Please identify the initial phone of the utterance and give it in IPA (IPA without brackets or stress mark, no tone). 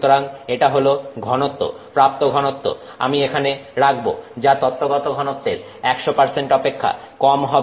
t̪